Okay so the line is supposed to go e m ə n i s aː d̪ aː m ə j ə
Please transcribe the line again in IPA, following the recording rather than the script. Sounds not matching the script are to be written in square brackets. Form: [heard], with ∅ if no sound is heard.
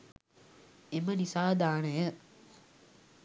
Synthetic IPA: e m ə n i s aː d̪ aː [n] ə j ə